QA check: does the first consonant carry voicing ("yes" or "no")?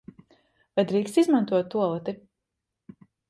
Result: yes